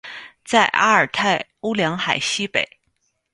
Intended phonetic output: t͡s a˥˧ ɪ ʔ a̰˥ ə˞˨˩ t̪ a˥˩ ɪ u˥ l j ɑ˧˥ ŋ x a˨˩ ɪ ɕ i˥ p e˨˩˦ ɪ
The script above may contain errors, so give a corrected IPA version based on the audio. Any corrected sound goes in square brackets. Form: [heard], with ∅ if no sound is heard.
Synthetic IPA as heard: t͡s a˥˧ ɪ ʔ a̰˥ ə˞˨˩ [t̪ʰ] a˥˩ ɪ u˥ l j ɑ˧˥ ŋ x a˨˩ ɪ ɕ i˥ p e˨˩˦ ɪ